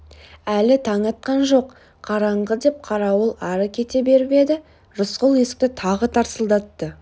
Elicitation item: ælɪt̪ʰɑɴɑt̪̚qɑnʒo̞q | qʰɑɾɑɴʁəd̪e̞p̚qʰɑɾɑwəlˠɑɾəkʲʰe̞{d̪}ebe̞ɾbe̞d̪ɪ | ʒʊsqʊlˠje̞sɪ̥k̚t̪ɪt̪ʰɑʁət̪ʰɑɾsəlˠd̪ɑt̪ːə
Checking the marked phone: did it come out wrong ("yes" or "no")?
yes